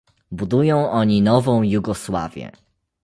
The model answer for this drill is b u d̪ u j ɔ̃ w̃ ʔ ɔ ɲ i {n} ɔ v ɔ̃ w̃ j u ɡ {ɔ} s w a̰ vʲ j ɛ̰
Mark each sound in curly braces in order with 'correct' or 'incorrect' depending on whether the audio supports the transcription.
correct, correct

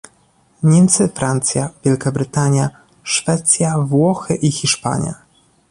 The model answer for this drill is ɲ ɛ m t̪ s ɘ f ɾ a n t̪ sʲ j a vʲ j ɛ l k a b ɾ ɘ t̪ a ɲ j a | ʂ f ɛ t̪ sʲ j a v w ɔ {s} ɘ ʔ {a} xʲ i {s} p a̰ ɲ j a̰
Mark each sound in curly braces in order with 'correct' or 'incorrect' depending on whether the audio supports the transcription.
incorrect: x, incorrect: i, incorrect: ʂ

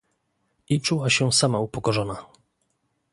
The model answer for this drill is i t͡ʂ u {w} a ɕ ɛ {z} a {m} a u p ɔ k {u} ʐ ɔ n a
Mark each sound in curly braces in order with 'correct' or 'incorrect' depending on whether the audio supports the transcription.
correct, incorrect: s, correct, incorrect: ɔ

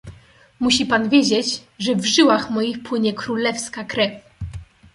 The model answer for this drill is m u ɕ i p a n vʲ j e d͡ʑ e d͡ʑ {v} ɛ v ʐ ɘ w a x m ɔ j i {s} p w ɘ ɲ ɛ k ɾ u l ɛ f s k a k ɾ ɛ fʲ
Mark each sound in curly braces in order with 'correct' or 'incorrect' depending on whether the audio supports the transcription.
incorrect: ʐ, incorrect: x

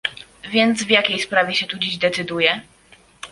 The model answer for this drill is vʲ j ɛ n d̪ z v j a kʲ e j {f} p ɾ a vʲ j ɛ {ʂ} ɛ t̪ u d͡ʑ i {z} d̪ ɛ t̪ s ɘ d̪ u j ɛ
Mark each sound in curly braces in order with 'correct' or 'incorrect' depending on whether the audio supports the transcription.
incorrect: s, incorrect: ɕ, incorrect: ʑ

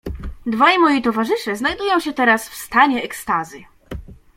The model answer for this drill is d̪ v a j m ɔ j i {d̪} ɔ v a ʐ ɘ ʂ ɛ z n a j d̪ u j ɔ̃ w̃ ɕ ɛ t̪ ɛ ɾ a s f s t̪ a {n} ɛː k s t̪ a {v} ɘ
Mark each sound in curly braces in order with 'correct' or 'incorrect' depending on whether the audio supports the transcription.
incorrect: t̪, incorrect: ɲ, incorrect: z

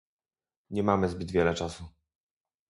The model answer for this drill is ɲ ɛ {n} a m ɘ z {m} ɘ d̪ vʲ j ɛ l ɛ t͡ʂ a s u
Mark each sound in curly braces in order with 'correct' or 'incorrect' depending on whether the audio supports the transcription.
incorrect: m, incorrect: b

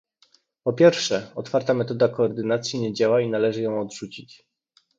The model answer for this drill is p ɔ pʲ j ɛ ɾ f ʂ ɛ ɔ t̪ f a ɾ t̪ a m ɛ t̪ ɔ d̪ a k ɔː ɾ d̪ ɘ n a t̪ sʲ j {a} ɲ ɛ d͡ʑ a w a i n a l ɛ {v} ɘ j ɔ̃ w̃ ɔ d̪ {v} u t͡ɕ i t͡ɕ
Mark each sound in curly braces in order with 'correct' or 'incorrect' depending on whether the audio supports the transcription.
incorrect: i, incorrect: ʐ, incorrect: ʐ

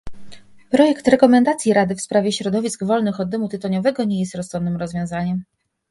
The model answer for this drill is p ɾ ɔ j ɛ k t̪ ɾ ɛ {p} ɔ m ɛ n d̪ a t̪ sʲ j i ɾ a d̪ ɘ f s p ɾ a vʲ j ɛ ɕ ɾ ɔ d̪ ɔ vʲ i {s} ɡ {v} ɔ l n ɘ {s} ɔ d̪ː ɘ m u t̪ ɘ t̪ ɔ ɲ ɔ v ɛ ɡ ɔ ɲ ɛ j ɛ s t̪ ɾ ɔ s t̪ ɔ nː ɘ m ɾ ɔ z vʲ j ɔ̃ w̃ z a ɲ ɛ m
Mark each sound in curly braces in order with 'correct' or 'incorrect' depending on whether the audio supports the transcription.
incorrect: k, correct, correct, incorrect: x

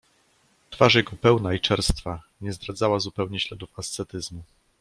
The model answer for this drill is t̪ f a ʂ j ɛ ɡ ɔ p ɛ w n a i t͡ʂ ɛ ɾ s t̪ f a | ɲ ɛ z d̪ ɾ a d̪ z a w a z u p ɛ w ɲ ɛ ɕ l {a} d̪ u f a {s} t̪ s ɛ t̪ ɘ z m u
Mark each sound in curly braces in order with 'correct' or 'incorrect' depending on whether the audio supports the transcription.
incorrect: ɛ, correct

